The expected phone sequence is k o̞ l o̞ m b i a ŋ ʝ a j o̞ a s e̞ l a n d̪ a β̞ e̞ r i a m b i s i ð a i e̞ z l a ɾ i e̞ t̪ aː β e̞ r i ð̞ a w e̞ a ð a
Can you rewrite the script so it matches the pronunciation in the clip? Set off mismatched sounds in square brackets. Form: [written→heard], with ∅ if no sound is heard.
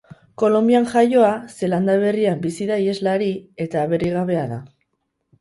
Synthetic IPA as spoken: k o̞ l o̞ m b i a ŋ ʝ a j o̞ a s e̞ l a n d̪ a β̞ e̞ r i a m b i s i ð a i e̞ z l a ɾ i e̞ t̪ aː β e̞ r i [ð̞→ɣ̞] a [w→β] e̞ a ð a